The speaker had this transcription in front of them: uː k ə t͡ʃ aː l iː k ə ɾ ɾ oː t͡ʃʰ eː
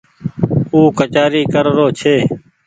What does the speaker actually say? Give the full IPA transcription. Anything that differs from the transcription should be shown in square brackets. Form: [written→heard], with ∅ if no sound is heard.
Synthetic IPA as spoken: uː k ə t͡ʃ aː [l→ɾ] iː k ə ɾ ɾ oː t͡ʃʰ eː